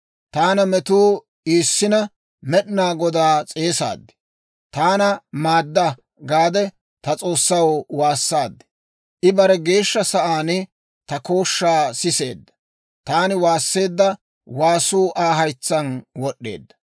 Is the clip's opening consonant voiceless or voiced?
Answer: voiceless